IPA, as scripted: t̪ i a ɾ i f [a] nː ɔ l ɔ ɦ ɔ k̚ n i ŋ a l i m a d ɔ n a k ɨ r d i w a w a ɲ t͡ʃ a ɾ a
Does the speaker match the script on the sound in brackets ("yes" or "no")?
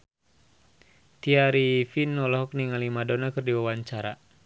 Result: no